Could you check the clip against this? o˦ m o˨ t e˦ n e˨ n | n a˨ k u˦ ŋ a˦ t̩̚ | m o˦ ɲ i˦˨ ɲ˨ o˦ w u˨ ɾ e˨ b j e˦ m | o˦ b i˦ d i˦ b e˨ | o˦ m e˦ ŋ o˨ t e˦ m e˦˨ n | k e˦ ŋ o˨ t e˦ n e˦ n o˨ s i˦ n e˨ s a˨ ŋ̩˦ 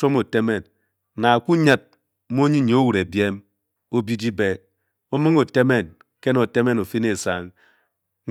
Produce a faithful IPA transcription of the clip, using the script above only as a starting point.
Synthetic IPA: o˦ m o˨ t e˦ m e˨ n | n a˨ k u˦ ɲ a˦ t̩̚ | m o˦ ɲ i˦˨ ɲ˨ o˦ w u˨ ɾ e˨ b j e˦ m | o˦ b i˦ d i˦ b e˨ | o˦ m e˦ ŋ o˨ t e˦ m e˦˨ n | k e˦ n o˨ t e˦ m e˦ n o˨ f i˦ n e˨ s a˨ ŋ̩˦